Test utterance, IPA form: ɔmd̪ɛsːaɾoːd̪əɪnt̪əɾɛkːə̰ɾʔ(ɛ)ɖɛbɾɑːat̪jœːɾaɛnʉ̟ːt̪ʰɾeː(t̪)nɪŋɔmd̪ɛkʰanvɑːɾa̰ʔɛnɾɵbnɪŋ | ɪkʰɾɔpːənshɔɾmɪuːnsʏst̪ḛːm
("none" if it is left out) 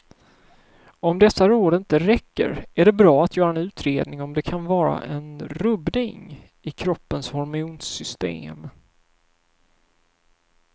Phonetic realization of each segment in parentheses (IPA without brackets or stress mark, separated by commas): æ, d̪